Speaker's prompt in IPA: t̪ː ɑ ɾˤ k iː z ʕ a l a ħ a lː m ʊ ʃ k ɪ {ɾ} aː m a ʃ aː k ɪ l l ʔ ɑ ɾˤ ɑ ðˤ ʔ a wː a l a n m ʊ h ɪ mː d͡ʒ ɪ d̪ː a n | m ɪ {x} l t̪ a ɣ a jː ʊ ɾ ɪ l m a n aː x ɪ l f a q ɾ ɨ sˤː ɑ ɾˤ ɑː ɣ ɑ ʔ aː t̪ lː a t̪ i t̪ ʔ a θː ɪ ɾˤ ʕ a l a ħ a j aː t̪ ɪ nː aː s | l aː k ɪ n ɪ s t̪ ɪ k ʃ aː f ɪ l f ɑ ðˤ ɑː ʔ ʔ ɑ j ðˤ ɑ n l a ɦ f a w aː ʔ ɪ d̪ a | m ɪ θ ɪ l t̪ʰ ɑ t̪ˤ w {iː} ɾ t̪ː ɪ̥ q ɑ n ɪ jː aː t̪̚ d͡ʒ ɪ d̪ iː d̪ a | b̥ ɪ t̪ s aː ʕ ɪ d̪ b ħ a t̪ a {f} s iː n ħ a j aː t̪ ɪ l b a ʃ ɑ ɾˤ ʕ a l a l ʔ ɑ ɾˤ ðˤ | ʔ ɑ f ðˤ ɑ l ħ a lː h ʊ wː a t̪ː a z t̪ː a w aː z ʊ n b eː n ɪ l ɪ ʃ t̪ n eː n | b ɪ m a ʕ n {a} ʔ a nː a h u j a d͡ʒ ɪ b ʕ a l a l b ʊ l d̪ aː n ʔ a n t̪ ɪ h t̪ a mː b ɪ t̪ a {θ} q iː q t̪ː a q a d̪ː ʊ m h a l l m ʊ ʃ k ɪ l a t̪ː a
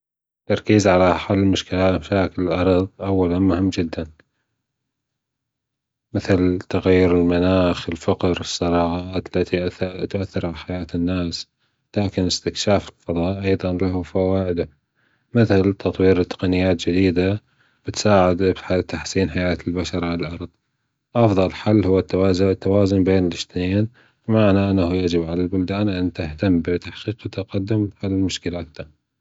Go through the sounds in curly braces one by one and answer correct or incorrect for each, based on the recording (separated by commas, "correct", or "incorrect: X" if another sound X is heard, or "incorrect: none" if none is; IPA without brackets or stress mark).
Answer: incorrect: l, incorrect: θ, correct, incorrect: ħ, correct, incorrect: ħ